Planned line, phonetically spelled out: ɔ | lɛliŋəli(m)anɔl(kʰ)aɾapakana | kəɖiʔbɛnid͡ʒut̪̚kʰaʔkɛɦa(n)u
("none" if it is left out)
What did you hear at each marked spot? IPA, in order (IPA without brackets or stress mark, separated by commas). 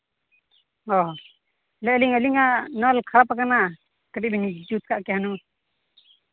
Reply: ŋ, kʰ, n